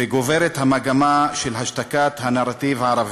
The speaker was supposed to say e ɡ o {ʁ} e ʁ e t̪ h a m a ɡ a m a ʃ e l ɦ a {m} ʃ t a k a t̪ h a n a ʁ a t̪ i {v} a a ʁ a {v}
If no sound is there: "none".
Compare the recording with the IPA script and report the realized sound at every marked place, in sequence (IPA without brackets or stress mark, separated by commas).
v, none, v, v